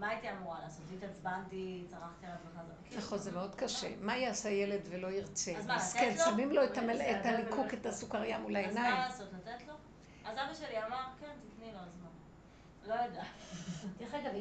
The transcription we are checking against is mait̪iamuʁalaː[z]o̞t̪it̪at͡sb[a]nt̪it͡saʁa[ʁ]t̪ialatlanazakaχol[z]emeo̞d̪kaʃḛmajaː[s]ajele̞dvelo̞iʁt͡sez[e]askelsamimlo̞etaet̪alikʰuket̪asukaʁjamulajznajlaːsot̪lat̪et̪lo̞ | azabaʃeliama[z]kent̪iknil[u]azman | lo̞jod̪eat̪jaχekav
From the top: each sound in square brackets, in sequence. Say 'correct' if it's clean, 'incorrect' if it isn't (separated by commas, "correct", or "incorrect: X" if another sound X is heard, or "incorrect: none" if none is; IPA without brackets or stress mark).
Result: incorrect: s, correct, incorrect: χ, correct, correct, incorrect: a, incorrect: ʁ, incorrect: o